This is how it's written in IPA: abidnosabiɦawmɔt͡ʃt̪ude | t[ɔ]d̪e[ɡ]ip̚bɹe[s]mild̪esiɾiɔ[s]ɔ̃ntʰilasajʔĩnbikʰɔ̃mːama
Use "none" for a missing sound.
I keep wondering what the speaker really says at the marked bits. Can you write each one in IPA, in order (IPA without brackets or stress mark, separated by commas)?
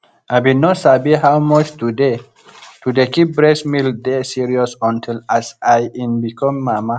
u, k, s, s